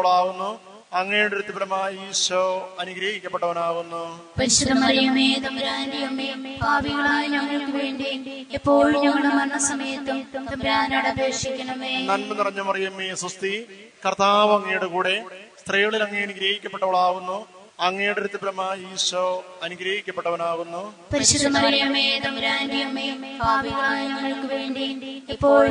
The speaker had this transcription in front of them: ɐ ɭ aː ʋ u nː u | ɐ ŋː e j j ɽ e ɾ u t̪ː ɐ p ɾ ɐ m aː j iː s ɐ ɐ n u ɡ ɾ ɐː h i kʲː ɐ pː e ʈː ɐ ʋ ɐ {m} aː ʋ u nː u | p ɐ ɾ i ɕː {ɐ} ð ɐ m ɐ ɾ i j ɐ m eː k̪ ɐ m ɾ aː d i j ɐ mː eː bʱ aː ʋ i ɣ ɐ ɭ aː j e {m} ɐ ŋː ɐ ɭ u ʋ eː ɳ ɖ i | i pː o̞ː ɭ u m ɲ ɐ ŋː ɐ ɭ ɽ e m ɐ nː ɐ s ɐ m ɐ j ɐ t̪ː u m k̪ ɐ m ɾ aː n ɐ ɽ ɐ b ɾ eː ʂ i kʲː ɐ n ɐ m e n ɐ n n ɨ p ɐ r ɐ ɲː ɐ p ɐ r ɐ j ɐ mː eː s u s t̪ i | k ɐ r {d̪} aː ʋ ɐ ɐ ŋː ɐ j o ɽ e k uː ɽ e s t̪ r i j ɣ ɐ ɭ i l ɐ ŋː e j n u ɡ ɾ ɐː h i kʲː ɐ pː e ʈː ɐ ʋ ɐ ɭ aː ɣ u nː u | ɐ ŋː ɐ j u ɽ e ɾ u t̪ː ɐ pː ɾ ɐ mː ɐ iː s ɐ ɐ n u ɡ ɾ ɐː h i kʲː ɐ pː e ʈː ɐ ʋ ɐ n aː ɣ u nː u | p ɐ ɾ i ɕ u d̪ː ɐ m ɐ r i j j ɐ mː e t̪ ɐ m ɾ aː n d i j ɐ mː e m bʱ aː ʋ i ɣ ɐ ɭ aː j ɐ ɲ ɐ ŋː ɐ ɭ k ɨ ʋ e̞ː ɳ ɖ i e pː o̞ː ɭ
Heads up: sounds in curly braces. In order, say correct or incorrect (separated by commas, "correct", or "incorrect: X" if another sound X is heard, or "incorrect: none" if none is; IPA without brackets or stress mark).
incorrect: n, correct, incorrect: ɲ, incorrect: t̪